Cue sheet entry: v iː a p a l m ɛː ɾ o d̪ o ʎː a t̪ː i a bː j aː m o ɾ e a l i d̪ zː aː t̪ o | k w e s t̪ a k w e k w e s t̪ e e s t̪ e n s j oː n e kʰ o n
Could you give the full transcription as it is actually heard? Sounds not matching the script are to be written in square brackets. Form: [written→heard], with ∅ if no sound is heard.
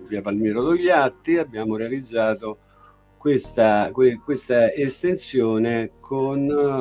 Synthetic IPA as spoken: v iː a p a l m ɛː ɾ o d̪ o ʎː a t̪ː i a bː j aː m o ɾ e a l i d̪ zː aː t̪ o | k w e s t̪ a k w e k w e s t̪ [e→a] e s t̪ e n s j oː n e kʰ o n